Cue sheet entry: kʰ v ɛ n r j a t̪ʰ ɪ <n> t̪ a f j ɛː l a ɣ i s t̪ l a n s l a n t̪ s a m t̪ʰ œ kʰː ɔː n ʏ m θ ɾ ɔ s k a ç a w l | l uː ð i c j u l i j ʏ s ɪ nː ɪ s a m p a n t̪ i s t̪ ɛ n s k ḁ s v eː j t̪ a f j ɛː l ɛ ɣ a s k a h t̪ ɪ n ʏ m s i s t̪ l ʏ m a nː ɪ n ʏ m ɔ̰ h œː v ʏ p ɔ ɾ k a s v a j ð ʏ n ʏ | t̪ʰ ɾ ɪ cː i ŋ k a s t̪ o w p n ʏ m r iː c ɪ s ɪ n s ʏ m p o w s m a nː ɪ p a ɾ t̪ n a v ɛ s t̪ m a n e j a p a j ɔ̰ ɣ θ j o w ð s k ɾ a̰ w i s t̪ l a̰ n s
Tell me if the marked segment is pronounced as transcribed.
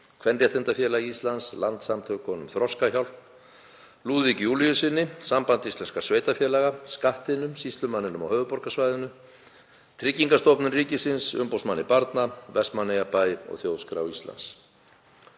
yes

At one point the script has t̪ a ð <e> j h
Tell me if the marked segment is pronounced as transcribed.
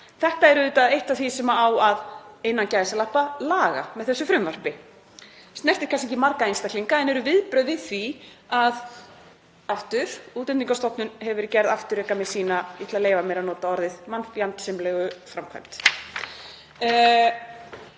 yes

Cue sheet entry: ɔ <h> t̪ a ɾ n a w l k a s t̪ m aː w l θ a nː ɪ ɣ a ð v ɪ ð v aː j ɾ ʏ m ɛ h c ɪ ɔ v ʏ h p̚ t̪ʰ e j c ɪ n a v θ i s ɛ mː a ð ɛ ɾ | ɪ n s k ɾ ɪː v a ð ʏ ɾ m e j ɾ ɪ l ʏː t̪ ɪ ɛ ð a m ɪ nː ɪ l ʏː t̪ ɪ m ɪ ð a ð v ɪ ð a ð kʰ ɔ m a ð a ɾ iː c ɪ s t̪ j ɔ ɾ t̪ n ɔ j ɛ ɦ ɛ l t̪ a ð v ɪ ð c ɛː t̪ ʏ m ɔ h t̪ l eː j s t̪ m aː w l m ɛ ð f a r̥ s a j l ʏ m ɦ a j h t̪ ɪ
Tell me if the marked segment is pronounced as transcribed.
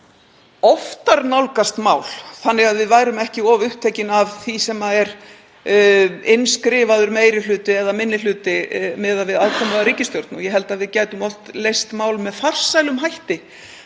no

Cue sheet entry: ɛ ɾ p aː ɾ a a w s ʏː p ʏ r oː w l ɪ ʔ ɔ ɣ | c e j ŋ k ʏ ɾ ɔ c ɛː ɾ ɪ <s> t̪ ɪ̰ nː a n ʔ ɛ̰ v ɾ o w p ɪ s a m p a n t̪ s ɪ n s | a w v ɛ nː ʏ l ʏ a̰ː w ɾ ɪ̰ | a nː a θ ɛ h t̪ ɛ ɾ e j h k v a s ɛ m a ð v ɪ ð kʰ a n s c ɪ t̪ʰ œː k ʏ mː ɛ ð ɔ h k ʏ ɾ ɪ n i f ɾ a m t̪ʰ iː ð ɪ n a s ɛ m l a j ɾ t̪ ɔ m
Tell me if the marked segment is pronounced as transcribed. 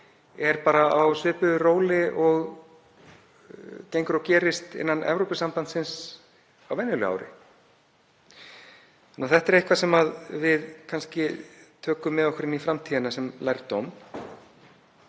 yes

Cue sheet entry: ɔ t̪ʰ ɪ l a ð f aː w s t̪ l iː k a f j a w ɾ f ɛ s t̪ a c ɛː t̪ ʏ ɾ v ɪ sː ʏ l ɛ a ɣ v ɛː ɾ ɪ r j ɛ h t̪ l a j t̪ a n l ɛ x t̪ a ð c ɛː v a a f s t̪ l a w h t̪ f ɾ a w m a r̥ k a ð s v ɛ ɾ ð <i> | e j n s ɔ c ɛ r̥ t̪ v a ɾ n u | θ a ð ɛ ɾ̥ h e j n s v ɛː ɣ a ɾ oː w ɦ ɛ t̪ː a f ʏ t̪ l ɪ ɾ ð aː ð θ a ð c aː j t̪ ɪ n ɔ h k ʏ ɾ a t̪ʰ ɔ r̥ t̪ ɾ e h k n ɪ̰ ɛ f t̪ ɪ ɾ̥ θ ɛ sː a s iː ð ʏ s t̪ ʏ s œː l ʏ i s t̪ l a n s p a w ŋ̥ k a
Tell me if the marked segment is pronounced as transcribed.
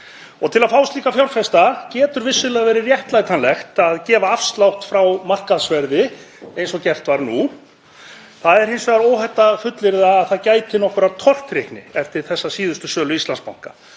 no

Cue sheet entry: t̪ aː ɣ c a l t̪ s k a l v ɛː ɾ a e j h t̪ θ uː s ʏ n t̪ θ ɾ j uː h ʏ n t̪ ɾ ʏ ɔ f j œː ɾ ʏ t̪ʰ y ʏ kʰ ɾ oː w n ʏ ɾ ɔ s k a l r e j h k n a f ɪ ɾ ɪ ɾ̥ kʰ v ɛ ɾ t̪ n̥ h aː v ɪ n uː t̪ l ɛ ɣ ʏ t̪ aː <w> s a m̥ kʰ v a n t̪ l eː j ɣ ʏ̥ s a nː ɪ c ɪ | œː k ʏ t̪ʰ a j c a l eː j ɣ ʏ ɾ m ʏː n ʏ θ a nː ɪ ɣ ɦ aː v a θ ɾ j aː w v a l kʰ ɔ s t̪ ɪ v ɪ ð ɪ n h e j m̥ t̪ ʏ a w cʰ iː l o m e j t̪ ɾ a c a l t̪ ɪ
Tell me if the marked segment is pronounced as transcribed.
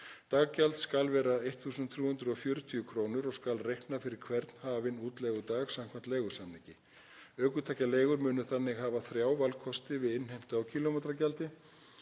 no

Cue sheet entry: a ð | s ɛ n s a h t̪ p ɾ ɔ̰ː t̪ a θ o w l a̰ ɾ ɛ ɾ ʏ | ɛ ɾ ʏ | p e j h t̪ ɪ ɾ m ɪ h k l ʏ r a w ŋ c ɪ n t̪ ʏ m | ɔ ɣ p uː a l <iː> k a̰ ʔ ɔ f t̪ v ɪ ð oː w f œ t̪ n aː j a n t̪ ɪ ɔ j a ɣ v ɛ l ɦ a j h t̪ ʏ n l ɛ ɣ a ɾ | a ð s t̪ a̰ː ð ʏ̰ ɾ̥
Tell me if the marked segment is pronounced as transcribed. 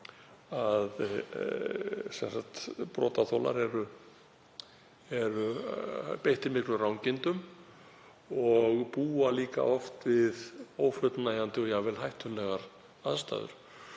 yes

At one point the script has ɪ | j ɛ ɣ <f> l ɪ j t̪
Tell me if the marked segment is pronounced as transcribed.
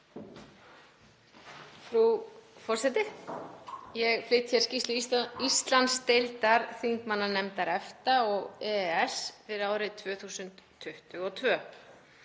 yes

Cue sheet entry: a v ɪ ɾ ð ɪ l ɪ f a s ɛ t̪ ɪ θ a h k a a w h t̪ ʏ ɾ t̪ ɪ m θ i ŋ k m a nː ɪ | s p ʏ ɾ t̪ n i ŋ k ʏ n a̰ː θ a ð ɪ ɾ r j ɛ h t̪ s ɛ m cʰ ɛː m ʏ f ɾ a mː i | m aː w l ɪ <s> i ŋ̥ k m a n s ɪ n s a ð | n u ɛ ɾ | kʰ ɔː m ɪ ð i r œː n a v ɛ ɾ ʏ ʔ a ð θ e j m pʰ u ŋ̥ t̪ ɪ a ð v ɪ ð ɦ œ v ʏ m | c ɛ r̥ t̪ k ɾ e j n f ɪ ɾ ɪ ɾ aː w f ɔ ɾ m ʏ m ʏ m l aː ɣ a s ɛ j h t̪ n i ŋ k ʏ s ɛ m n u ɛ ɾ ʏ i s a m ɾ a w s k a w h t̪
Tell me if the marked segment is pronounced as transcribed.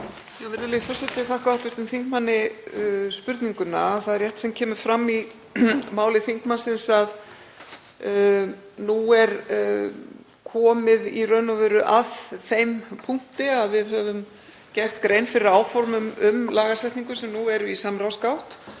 no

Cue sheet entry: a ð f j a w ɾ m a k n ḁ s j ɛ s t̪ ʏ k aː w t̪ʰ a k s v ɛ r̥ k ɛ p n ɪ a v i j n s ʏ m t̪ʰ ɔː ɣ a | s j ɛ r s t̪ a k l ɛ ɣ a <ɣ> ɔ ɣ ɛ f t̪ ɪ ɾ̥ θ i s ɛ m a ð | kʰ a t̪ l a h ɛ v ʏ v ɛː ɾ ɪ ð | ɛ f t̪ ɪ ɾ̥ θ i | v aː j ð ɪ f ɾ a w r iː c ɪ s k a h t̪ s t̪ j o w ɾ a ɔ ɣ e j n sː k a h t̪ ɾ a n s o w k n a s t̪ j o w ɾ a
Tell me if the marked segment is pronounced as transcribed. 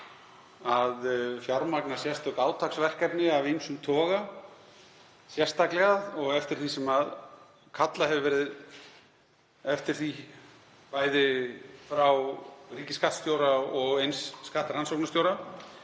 no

